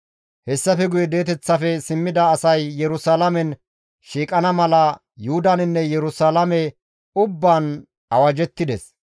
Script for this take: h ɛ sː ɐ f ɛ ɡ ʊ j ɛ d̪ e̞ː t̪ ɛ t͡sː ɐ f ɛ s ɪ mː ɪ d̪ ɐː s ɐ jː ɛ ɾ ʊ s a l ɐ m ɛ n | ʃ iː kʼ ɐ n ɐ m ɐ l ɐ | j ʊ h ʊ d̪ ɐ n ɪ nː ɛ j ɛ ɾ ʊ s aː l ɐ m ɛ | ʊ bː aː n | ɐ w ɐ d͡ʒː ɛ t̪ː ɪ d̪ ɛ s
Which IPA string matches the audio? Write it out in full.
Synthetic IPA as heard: h ɛ sː ɐ f ɛ ɡ ʊ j ɛ d̪ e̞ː t̪ ɛ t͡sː ɐ f ɛ s ɪ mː ɪ d̪ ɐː s ɐ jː ɛ ɾ ʊ s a l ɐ m ɛ n | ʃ iː kʼ ɐ n ɐ m ɐ l ɐ | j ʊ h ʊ d̪ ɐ n ɪ nː ɛ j ɛ ɾ ʊ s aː l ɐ m ɛ | ʊ bː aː n | ɐ w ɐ d͡ʒ ɛ t̪ː ɪ d̪ ɛ s